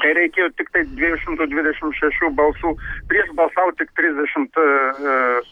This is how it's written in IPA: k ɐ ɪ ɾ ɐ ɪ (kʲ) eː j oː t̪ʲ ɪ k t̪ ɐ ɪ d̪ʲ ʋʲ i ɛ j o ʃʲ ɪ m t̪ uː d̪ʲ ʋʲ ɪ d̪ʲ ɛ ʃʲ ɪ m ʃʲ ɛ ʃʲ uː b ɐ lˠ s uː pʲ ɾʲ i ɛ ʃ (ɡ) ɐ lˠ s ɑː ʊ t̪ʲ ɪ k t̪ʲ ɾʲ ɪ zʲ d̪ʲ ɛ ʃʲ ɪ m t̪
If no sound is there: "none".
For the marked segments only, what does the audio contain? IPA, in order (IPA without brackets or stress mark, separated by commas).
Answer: kʲ, b